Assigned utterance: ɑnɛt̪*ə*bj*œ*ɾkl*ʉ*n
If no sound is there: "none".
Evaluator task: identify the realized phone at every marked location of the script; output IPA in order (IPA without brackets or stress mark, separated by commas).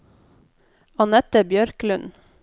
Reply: ə, œ, ʉ